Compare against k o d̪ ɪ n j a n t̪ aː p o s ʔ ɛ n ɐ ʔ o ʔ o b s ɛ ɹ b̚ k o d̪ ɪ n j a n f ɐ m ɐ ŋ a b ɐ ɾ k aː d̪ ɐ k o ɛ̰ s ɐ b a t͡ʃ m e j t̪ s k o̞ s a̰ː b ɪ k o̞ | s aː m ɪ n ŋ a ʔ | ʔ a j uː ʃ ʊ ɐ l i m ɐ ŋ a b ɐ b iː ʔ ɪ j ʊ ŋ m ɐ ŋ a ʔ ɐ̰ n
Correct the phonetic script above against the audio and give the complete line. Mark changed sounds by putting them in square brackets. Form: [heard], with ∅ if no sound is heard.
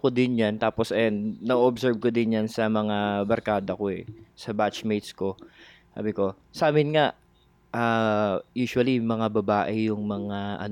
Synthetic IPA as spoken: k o d̪ ɪ n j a n t̪ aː p o s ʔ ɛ n ɐ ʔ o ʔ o b s ɛ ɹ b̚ k o d̪ ɪ n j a n [s] ɐ m ɐ ŋ a b ɐ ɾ k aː d̪ ɐ k o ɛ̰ s ɐ b a t͡ʃ m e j t̪ s k o̞ s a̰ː b ɪ k o̞ | s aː m ɪ n ŋ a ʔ | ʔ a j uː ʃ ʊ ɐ l i m ɐ ŋ a b ɐ b [aː] ʔ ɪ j ʊ ŋ m ɐ ŋ a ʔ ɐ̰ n